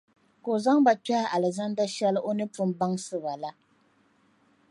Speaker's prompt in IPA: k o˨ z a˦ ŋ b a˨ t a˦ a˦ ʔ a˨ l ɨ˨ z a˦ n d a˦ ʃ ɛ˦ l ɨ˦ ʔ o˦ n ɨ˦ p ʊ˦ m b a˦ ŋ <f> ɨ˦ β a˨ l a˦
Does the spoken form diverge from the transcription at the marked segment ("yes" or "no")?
yes